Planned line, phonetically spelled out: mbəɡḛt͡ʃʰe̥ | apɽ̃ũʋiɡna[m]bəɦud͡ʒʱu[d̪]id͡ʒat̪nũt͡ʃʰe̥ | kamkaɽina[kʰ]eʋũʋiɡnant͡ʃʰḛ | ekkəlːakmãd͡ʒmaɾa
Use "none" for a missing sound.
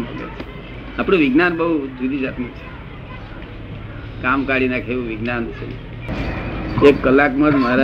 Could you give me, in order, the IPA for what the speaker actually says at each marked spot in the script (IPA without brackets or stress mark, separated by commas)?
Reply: n, d̪, kʰ